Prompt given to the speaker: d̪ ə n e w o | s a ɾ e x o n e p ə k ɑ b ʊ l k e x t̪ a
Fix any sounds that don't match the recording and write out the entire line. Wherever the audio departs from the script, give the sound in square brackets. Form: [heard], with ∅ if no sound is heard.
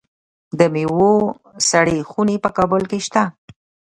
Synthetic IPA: d̪ ə [m] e w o | s a [ɽ] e x [u] n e p ə k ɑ b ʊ l k e [ʃ] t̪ a